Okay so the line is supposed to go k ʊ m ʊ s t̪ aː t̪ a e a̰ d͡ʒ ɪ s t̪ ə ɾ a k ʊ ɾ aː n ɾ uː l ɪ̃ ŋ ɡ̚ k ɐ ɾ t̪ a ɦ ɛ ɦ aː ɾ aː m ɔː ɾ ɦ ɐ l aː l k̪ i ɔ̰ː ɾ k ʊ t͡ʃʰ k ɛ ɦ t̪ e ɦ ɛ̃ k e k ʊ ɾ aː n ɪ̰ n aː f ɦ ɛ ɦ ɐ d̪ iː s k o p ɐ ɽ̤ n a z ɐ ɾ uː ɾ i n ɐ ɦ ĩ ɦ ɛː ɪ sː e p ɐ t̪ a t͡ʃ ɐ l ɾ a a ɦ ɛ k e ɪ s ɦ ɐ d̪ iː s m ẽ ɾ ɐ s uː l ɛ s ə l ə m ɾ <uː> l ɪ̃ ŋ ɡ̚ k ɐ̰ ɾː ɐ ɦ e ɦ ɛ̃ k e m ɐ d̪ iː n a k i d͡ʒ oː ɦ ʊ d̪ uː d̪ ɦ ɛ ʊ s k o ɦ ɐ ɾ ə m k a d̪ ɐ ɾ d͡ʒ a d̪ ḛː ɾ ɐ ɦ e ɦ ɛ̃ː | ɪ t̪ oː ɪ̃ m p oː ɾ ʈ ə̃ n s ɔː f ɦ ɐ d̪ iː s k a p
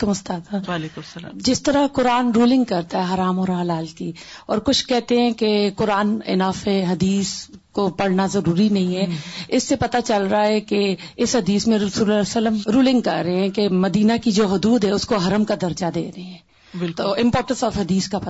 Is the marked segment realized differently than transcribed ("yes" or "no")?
no